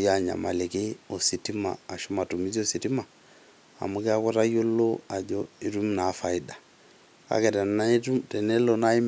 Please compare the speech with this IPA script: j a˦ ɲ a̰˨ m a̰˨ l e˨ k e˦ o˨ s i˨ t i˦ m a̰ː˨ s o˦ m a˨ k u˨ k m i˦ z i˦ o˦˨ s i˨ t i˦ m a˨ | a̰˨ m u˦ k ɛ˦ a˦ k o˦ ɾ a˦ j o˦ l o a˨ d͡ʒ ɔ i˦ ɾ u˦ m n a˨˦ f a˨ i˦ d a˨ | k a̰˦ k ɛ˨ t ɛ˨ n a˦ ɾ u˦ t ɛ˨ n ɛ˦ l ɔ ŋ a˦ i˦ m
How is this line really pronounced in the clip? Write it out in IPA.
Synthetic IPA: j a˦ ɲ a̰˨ m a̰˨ l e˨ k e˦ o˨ s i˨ t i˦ m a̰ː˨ ʃ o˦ m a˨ t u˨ m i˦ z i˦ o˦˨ s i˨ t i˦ m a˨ | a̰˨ m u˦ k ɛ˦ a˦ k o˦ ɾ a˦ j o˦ l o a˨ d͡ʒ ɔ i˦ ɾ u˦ m n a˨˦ f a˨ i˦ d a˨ | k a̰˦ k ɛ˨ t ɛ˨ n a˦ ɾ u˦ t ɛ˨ n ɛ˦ l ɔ n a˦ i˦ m